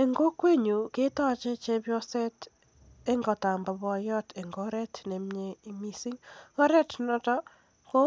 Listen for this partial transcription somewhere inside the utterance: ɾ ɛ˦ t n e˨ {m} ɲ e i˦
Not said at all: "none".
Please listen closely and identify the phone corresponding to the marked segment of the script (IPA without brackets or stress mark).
m